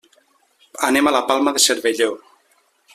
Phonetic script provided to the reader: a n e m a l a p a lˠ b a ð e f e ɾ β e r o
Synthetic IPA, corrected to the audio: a n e m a l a p a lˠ m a ð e s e ɾ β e ʎ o